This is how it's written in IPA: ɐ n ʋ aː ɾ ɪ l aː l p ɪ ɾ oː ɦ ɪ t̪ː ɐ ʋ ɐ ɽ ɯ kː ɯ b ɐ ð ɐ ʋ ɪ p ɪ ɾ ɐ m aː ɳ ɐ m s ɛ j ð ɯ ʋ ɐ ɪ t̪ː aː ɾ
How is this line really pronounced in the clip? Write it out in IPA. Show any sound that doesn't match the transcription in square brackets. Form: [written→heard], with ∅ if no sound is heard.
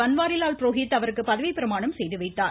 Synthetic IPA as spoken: ɐ n ʋ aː ɾ ɪ l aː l p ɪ ɾ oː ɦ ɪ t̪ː ɐ ʋ ɐ [ɽ→ɾ] ɯ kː ɯ [b→p] ɐ ð ɐ ʋ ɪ p ɪ ɾ ɐ m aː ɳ ɐ m s ɛ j ð ɯ ʋ ɐ ɪ t̪ː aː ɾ